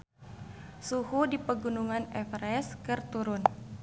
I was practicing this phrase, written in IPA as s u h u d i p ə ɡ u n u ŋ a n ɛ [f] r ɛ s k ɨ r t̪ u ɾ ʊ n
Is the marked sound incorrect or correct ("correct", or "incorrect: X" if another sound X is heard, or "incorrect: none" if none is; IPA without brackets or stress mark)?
correct